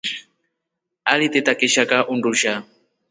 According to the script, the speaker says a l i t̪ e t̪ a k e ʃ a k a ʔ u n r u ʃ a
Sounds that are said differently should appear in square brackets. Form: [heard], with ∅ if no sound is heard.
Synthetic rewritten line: a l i t̪ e t̪ a k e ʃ a k a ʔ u n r u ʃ a